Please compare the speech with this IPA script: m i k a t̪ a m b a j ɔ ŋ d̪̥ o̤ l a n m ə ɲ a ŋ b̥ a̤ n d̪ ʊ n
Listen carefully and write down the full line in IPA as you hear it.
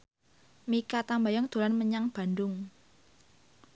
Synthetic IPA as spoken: m i k a t̪ a m b a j ɔ ŋ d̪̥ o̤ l a n m ə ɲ a ŋ b̥ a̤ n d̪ ʊ ŋ